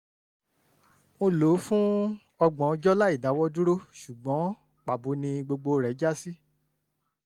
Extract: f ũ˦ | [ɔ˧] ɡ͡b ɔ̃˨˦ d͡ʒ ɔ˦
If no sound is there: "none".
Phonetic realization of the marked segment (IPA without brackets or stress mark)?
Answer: ɔ˧